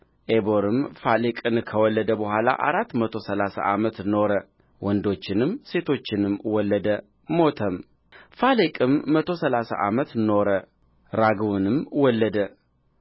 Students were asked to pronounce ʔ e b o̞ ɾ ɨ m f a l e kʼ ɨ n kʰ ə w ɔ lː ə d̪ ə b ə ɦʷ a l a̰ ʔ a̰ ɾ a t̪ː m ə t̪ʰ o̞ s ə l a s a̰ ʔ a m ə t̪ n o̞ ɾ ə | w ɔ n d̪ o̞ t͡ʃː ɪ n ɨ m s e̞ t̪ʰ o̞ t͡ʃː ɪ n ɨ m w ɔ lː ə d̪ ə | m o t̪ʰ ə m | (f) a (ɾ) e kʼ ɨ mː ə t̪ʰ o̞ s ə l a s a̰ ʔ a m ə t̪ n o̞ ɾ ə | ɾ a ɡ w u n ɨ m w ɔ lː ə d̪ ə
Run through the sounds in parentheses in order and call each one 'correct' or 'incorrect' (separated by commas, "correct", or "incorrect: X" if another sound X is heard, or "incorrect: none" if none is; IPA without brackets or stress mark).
correct, incorrect: l